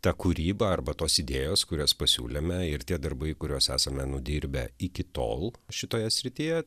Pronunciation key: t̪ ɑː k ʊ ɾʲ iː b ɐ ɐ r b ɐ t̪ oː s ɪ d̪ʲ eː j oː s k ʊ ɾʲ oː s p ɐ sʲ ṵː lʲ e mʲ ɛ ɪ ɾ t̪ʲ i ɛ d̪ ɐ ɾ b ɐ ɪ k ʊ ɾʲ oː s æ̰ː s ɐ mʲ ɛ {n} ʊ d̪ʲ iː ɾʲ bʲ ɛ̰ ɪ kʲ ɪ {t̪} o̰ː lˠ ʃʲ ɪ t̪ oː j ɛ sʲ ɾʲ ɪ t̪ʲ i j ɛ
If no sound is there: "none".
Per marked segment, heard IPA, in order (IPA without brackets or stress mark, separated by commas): n, t̪